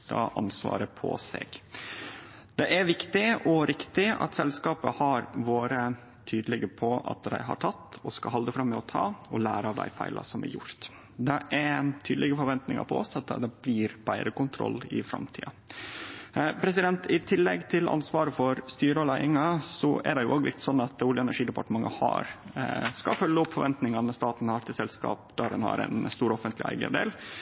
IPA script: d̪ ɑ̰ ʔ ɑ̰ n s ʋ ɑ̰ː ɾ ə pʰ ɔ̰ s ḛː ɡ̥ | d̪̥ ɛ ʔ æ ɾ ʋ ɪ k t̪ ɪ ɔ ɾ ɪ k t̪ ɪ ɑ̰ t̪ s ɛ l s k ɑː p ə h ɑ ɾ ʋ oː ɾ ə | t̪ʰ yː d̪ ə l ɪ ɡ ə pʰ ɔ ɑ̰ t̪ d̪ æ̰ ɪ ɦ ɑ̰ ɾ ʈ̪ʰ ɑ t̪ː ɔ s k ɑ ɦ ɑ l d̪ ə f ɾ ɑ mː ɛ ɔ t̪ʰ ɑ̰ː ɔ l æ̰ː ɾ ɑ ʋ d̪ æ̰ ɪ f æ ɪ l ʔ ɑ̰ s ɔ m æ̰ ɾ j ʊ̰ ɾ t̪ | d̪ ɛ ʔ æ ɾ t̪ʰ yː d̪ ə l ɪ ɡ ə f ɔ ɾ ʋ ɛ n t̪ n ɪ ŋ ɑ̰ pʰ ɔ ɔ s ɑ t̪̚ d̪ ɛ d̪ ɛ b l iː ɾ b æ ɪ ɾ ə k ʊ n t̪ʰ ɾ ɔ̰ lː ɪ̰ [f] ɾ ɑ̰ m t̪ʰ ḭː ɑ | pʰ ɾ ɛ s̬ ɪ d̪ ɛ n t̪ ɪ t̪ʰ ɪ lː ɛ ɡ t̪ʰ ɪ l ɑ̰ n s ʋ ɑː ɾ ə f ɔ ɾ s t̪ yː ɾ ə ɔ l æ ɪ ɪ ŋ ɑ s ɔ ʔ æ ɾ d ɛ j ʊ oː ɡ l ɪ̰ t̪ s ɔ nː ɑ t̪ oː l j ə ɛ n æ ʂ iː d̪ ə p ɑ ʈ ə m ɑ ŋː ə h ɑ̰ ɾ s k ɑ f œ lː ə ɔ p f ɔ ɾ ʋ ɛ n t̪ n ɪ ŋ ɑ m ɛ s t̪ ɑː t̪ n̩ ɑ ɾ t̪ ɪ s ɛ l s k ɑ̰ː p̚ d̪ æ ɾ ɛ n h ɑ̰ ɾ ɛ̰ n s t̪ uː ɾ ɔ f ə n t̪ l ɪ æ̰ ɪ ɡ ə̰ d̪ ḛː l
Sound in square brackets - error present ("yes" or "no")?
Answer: no